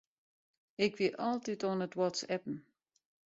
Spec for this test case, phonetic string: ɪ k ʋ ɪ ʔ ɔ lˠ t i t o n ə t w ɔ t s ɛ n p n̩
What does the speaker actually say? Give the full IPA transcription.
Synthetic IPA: ɪ k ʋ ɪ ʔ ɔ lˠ t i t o n ə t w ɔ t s ɛ p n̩